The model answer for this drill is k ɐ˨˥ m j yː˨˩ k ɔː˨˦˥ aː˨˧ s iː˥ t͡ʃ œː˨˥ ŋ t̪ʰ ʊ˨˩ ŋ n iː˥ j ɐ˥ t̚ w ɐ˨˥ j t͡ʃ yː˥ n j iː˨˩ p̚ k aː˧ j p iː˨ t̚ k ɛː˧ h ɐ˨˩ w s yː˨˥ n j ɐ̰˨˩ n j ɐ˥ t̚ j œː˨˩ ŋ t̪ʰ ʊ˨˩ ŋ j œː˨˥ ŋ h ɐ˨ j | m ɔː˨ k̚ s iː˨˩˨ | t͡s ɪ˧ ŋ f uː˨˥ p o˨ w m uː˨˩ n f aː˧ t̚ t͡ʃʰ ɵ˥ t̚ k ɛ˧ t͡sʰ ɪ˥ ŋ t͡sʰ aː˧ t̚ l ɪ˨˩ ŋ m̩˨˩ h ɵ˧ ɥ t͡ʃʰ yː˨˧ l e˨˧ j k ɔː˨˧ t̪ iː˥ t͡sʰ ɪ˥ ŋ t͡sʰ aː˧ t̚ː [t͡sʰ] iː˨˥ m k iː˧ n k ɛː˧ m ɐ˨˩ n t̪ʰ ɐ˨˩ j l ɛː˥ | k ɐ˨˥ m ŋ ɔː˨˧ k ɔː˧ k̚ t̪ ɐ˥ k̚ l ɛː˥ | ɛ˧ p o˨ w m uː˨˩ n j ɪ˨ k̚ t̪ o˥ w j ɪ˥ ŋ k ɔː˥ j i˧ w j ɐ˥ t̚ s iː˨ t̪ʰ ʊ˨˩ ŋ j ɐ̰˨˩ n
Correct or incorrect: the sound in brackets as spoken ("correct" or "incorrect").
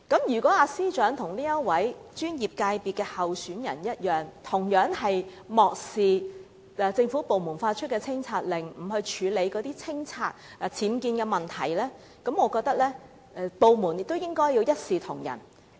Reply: correct